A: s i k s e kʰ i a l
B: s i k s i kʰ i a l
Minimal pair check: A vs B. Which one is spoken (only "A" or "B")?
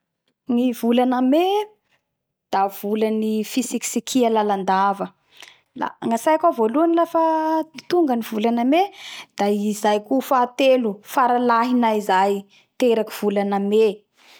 B